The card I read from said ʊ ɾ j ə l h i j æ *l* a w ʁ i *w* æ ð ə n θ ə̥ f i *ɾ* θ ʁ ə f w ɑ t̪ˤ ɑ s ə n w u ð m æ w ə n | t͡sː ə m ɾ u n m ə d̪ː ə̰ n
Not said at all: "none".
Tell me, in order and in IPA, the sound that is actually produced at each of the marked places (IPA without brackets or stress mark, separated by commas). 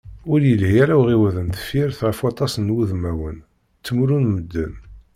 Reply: ɾ, w, ɾ